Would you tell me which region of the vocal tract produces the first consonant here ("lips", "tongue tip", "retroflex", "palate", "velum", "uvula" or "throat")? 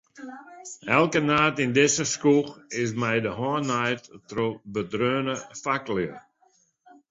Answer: tongue tip